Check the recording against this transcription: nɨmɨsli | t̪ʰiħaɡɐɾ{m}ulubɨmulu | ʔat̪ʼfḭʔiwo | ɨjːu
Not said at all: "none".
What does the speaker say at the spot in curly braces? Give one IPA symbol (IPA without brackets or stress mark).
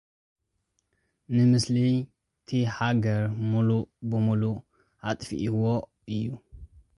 m